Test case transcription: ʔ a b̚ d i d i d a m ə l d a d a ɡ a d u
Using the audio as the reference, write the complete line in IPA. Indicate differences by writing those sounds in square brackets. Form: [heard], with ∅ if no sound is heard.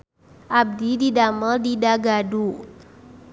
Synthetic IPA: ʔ a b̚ d i d i d a m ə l d [i] d a ɡ a d u